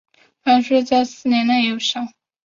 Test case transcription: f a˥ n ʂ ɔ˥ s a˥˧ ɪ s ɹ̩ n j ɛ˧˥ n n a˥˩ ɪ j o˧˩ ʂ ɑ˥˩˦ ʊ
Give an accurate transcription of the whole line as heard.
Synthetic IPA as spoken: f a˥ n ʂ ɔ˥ t͡s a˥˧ ɪ s ɹ̩ n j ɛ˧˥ n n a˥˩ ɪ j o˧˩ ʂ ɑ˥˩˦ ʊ